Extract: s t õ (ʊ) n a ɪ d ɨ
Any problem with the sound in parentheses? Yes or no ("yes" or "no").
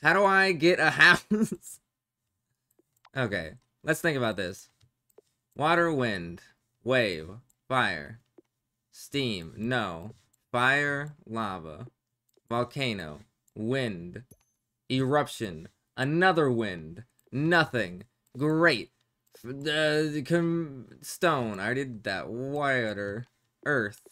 yes